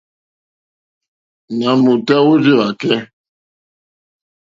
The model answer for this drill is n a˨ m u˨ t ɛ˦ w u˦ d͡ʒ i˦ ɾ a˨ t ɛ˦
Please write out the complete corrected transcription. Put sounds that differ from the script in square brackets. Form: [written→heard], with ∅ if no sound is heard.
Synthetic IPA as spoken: n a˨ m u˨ t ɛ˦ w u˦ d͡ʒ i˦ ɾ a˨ [t→k] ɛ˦